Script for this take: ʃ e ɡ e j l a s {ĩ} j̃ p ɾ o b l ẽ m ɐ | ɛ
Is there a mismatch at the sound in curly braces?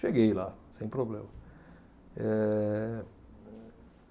yes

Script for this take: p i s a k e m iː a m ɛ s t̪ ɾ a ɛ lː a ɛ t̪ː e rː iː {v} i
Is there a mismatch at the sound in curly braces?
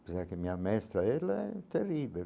yes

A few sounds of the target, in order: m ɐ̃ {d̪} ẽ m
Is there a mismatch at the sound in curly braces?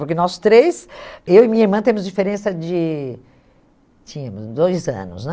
yes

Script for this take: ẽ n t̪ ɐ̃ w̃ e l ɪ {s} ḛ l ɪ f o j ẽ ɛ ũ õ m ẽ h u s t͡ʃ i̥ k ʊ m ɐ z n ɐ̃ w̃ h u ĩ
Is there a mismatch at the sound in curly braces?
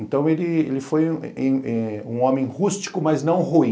yes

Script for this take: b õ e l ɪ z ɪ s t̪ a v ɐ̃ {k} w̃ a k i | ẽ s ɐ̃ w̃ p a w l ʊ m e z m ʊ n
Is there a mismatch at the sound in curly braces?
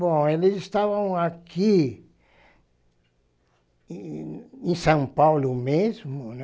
yes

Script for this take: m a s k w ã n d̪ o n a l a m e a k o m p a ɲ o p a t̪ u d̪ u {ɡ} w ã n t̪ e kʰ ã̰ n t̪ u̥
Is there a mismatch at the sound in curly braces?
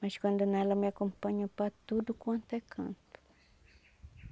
yes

